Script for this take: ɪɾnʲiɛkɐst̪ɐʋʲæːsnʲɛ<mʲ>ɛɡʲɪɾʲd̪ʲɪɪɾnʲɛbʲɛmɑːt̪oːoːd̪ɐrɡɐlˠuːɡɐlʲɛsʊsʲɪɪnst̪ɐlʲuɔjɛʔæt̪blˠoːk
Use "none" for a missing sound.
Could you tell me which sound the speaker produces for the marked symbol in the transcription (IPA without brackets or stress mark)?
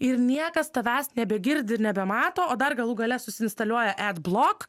bʲ